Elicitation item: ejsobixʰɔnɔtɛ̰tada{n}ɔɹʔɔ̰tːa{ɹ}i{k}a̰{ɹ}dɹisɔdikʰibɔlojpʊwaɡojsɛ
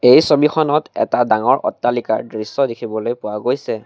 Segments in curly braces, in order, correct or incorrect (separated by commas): incorrect, incorrect, correct, correct